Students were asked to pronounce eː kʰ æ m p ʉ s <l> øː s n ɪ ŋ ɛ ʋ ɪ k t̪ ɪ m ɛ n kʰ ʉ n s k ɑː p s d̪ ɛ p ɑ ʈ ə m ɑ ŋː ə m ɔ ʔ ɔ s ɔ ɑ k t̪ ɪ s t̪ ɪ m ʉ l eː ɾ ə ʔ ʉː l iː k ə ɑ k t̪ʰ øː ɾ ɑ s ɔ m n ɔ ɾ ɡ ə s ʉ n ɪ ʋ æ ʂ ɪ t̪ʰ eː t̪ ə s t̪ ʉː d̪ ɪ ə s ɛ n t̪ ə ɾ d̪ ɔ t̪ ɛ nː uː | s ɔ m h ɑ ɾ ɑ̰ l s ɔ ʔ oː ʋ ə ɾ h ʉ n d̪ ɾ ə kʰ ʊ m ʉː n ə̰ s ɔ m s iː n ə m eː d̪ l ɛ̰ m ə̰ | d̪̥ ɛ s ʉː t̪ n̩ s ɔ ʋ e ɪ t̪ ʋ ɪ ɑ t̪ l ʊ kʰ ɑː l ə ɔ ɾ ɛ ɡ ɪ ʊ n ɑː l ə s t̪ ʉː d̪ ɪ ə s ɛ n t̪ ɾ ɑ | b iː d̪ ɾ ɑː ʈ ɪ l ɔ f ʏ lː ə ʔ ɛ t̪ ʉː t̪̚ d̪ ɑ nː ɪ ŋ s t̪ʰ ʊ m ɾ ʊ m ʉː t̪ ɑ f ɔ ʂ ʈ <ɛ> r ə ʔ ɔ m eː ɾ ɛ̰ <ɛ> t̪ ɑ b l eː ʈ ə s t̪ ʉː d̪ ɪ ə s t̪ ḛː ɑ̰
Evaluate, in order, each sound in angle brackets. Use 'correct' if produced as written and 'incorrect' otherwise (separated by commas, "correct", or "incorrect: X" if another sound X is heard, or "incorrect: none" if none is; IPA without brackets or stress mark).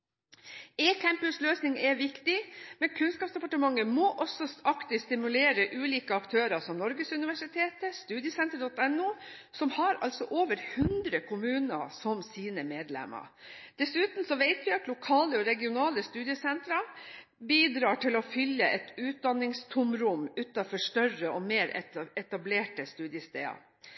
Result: correct, incorrect: œ, correct